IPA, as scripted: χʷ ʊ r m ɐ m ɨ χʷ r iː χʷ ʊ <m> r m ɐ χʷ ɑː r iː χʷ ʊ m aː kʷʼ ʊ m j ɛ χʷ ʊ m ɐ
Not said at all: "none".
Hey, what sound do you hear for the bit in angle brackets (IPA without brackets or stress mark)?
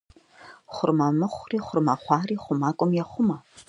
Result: none